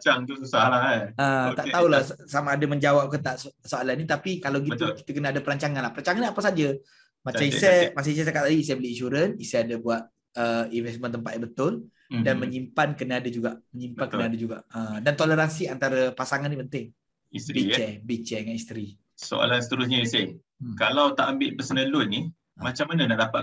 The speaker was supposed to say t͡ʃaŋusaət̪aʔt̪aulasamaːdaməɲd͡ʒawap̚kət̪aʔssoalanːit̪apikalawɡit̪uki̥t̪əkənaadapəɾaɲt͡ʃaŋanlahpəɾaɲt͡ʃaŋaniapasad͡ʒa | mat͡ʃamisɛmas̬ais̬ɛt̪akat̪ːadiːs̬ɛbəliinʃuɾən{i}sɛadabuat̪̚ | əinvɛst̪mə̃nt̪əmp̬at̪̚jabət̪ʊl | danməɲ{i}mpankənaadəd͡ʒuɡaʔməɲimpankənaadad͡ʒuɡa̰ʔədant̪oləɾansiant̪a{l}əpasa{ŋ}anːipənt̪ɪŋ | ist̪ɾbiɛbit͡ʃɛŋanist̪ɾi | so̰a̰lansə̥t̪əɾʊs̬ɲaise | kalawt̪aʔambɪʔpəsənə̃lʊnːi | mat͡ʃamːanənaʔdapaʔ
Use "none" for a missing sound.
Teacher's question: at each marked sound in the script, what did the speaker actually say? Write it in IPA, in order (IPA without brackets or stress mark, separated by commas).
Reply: i, i, ɾ, ŋ